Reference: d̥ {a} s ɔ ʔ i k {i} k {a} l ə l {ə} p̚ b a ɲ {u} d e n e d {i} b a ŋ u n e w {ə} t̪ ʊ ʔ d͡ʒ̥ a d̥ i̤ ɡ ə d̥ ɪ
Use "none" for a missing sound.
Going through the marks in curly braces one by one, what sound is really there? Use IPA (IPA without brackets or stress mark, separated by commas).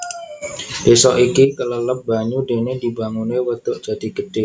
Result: e, i, ə, ə, u, i, ə